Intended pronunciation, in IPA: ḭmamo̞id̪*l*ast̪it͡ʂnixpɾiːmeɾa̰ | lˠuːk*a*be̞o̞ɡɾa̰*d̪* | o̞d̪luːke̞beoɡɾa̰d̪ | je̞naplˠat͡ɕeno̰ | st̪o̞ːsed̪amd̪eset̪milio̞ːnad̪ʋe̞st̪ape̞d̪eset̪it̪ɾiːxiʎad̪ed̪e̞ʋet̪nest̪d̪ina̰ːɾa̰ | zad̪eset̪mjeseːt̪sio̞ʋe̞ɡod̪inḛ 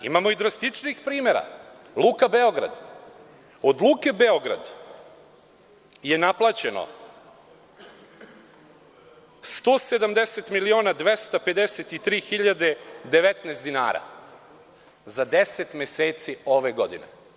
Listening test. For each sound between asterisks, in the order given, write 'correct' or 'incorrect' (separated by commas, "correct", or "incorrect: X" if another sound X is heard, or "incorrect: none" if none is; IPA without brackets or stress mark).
incorrect: ɾ, correct, correct